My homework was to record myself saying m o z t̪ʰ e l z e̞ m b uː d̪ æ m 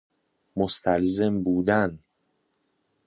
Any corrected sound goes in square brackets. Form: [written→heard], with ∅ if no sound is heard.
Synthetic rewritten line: m o [z→s] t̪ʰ [e→æ] l z e̞ m b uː d̪ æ [m→n]